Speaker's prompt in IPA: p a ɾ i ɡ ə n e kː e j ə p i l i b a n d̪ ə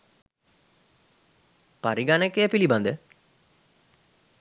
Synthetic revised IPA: p a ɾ i ɡ a n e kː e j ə p i l i b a n d̪ ə